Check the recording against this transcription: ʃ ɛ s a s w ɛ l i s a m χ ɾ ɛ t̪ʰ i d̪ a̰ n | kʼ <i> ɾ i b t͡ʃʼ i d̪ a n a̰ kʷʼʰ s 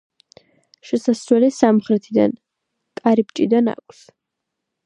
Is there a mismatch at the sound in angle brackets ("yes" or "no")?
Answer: yes